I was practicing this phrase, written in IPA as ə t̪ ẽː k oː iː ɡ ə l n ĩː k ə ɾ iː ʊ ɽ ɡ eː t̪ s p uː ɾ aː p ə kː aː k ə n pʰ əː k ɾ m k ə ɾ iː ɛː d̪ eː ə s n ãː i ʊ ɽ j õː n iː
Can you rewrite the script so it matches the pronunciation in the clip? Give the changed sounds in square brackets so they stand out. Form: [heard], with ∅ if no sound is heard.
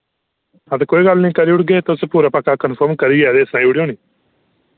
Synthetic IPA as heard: ə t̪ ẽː k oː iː ɡ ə l n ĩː k ə ɾ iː ʊ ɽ ɡ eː t̪ s p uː ɾ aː p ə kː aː k ə n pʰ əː [∅] ɾ m k ə ɾ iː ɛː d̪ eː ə s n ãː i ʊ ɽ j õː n iː